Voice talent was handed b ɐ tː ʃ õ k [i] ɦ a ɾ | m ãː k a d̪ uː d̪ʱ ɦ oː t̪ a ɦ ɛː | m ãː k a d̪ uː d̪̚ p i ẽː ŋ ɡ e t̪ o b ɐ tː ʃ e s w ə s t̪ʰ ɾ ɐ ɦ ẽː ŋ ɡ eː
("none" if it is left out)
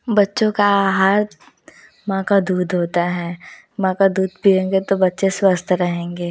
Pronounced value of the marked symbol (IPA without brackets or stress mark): a